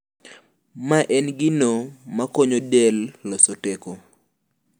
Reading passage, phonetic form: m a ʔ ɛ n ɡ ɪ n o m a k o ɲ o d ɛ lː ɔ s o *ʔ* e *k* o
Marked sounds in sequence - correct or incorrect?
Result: incorrect, correct

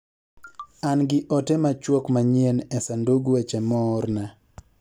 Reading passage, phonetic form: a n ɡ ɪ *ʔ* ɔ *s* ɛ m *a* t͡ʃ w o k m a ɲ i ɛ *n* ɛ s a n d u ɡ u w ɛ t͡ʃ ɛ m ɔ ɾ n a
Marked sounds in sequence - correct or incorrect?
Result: correct, incorrect, correct, correct

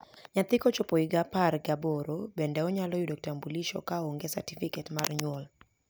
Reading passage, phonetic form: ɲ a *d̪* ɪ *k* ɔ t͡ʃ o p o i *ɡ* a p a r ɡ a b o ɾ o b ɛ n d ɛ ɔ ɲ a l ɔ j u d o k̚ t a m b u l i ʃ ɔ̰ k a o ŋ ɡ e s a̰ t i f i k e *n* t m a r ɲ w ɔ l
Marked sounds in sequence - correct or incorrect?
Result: incorrect, correct, correct, incorrect

